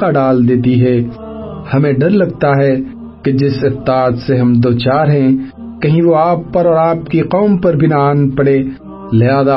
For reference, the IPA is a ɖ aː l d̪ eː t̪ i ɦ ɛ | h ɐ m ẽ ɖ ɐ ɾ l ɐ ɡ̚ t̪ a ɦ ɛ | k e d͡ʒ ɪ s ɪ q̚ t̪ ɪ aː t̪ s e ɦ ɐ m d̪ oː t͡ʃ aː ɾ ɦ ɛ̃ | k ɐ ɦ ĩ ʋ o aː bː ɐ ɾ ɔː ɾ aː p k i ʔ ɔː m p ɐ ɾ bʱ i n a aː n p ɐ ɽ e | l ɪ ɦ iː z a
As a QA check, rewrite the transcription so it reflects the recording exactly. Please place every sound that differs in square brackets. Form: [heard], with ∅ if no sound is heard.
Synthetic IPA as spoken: a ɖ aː l d̪ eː t̪ i ɦ ɛ | h ɐ m ẽ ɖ ɐ ɾ l ɐ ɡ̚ t̪ a ɦ ɛ | k e d͡ʒ ɪ s ɪ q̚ t̪ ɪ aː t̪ s e ɦ ɐ m d̪ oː t͡ʃ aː ɾ ɦ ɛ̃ | k ɐ ɦ ĩ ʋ o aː [pː] ɐ ɾ ɔː ɾ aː p k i [q] ɔː m p ɐ ɾ bʱ i n a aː n p ɐ ɽ e | l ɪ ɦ [aː] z a